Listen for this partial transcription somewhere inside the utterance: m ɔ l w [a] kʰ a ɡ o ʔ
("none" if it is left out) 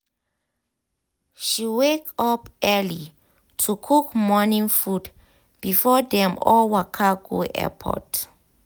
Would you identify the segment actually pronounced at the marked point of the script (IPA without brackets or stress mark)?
a